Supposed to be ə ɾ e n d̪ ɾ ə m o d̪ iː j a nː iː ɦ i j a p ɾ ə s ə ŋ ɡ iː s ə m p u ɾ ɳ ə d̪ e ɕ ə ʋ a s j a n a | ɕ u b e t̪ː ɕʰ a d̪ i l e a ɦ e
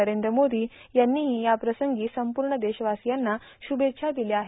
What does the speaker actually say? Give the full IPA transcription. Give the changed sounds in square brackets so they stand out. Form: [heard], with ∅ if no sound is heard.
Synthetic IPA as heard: ə ɾ e n d̪ ɾ ə m o d̪ iː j a nː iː ɦ i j a p ɾ ə s ə ŋ ɡ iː s ə m p u ɾ ɳ ə d̪ e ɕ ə ʋ a s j a [nː] a | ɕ u b e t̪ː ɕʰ a d̪ i l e a ɦ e